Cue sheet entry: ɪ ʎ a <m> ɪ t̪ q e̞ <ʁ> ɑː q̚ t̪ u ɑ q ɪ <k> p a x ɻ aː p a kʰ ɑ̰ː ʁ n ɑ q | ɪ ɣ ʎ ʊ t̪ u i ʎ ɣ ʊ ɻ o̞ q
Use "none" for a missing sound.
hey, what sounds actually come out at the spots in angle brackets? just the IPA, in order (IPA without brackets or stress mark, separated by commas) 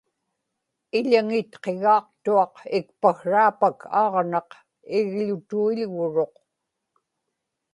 ŋ, ɣ, k